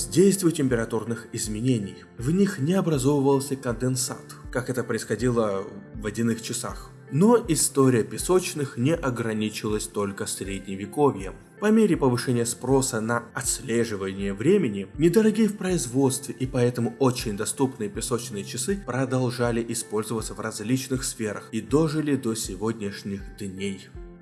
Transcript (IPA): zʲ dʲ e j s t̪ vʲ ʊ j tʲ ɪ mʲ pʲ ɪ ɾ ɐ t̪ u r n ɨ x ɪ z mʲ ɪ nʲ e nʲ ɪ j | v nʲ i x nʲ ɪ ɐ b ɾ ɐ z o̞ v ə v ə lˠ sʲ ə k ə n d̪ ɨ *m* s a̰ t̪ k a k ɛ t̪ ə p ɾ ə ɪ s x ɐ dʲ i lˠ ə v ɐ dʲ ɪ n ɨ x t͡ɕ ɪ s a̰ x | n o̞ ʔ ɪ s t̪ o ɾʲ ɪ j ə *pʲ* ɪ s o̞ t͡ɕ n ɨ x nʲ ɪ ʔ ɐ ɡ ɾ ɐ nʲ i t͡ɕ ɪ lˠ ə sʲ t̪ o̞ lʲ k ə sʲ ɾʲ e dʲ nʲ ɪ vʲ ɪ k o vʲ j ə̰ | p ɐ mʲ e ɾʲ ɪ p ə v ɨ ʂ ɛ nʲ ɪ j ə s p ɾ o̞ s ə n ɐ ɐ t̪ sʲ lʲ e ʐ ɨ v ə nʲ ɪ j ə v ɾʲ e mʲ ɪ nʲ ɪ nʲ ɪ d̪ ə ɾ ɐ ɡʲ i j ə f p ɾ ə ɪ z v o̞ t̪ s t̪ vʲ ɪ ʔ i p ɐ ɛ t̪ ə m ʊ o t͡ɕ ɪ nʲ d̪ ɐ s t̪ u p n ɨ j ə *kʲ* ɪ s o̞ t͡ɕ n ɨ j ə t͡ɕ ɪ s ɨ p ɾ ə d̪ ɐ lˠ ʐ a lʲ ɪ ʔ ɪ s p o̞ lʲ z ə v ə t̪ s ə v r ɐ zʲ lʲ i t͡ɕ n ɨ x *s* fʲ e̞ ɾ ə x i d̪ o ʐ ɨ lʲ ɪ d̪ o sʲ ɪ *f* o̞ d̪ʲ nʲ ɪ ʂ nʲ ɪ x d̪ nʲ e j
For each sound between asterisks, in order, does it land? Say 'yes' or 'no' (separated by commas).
no, yes, no, yes, no